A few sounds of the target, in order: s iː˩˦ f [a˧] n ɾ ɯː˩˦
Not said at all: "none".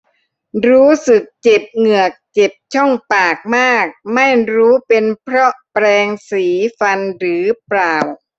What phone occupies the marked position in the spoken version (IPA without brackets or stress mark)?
a˧